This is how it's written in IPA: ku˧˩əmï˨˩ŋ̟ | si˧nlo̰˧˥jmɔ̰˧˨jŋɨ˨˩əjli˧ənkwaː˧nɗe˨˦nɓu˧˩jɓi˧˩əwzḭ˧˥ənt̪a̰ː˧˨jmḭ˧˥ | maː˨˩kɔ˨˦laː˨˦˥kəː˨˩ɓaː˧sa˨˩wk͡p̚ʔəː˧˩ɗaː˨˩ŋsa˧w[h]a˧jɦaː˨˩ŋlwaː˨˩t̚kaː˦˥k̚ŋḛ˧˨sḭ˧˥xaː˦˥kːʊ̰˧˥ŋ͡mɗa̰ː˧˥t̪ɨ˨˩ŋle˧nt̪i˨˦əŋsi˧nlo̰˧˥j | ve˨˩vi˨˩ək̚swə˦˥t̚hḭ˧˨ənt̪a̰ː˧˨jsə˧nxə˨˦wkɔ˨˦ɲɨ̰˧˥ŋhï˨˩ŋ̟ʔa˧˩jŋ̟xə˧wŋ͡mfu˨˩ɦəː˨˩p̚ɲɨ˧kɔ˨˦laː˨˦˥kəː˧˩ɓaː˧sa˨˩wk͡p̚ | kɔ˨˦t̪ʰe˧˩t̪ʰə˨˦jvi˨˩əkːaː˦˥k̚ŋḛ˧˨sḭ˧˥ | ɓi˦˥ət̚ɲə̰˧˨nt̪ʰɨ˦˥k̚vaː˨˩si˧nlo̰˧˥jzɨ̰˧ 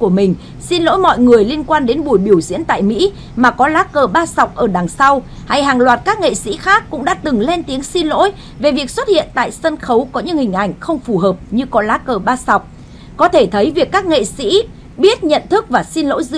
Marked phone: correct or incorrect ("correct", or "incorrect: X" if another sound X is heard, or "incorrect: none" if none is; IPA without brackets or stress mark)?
correct